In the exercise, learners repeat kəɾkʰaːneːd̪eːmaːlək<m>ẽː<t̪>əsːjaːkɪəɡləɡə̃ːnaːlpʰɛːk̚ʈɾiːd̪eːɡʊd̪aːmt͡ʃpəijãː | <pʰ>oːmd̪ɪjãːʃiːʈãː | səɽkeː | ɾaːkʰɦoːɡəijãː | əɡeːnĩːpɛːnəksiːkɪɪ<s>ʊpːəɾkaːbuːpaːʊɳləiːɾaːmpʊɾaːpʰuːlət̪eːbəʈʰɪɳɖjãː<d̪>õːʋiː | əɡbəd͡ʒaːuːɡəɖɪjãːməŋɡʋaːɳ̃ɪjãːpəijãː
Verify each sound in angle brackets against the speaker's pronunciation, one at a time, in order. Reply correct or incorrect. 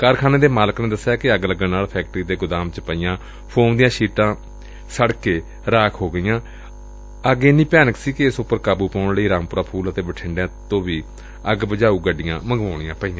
incorrect, incorrect, correct, correct, incorrect

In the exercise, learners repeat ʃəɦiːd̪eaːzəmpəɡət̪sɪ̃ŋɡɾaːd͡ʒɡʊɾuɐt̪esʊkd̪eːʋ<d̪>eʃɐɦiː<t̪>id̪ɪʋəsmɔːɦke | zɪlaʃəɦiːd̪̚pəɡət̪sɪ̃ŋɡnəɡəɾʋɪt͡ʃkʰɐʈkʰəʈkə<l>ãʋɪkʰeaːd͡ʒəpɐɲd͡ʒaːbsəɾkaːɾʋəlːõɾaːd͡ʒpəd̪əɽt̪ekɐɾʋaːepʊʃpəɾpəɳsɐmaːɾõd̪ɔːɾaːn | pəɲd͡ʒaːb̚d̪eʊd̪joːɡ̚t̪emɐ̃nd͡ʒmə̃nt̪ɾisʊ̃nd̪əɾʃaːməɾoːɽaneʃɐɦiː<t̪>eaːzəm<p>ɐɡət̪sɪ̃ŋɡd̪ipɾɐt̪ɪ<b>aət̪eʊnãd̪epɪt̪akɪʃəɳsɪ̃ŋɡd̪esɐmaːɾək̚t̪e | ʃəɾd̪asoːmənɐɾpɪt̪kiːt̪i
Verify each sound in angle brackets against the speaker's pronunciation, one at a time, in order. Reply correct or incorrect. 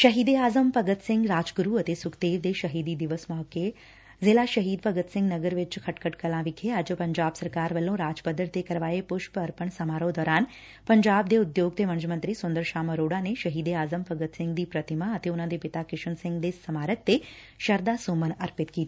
correct, incorrect, correct, incorrect, correct, incorrect

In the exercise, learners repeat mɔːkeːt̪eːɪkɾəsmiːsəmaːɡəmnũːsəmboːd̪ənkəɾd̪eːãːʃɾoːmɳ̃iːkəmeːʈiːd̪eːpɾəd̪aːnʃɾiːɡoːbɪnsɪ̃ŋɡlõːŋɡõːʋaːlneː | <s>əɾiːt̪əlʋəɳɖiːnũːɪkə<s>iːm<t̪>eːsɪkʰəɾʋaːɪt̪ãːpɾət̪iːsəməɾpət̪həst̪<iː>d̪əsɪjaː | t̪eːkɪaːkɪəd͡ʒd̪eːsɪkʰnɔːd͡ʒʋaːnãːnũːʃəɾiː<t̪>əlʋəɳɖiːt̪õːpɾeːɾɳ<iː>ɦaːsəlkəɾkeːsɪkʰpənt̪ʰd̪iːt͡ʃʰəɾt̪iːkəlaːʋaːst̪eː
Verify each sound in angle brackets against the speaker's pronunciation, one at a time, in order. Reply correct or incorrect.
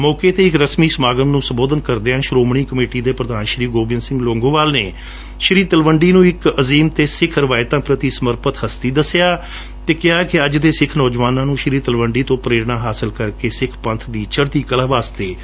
incorrect, incorrect, correct, correct, correct, incorrect

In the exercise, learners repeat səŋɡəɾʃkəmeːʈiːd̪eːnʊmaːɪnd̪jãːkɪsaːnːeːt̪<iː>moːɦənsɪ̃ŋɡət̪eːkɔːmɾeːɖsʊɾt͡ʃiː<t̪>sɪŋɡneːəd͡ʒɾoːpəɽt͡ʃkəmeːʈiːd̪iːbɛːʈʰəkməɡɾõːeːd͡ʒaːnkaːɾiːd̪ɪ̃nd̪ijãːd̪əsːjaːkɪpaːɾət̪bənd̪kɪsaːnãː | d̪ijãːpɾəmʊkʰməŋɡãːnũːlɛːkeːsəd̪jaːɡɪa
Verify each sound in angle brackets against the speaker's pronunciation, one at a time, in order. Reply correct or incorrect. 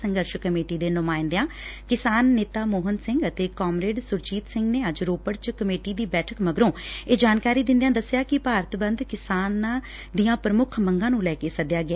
incorrect, correct

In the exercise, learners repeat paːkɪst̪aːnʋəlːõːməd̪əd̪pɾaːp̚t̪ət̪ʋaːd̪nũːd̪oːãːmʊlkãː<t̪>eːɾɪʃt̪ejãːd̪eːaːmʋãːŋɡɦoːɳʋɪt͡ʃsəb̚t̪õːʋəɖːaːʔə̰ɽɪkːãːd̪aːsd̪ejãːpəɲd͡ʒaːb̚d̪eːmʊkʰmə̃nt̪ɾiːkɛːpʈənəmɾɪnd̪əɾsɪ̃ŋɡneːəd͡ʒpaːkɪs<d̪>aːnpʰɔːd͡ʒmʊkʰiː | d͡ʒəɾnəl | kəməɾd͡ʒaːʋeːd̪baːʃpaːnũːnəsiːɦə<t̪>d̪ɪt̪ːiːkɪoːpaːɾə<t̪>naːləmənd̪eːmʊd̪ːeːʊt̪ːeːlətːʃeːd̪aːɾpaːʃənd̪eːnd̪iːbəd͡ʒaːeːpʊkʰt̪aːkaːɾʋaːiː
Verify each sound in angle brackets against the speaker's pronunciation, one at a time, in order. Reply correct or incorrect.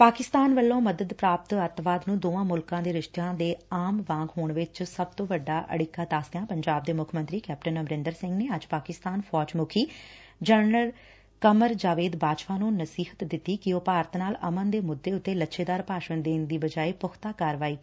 incorrect, incorrect, correct, correct

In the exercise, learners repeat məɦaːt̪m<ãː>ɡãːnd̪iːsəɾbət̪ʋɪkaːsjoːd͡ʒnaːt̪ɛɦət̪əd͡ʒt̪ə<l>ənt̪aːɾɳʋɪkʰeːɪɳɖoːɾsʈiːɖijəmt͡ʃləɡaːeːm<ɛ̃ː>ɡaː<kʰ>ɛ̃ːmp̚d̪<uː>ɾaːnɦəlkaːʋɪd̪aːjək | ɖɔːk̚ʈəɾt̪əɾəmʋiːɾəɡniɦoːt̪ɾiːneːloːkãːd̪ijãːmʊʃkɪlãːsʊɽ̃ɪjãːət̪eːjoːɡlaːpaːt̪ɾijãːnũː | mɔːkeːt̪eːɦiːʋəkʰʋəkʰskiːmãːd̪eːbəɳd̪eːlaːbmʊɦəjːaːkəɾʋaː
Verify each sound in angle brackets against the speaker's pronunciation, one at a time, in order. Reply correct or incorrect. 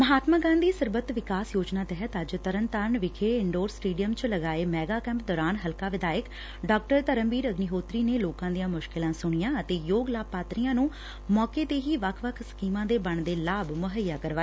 incorrect, incorrect, incorrect, incorrect, incorrect

